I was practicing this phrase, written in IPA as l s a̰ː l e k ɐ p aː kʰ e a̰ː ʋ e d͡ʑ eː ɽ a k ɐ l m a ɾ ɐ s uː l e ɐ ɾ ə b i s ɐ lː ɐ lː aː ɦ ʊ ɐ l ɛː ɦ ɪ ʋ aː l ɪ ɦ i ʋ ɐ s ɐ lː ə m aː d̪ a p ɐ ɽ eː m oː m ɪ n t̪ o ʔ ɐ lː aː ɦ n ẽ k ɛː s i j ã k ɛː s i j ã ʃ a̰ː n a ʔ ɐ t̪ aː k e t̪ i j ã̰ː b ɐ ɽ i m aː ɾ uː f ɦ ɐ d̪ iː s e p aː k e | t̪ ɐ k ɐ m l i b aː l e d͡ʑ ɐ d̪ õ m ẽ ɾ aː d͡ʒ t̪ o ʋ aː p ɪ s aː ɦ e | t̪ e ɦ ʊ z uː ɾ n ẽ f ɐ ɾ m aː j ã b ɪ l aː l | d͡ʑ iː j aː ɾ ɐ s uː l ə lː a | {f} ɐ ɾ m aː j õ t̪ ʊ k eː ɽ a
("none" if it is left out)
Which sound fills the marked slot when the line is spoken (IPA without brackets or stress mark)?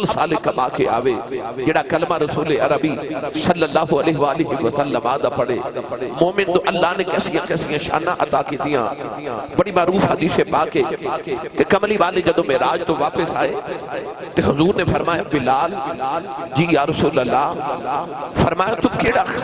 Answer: f